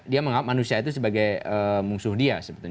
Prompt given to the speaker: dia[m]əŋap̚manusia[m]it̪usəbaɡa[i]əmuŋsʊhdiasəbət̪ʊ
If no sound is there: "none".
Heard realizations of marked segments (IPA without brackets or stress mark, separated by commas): m, none, j